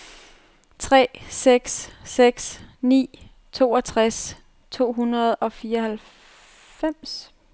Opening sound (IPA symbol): t͡sʰ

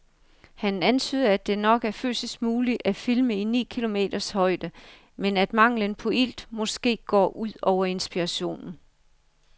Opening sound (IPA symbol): h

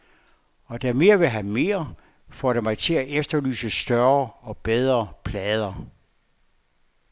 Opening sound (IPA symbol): ɒ̽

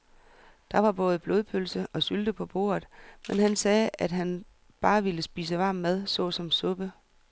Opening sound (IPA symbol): d̥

